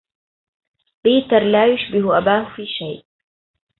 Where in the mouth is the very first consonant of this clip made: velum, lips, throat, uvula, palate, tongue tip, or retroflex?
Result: lips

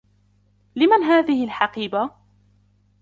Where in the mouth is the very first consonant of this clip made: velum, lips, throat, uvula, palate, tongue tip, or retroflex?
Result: tongue tip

